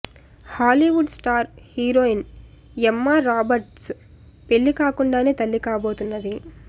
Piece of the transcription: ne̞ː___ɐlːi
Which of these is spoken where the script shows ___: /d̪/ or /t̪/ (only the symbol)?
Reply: t̪